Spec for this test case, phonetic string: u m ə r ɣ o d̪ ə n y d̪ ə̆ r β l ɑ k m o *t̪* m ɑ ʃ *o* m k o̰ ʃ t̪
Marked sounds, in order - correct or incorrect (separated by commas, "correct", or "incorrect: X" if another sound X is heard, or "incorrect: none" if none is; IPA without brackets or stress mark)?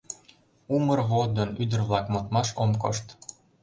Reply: correct, correct